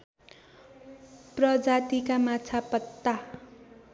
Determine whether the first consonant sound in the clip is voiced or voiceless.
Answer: voiceless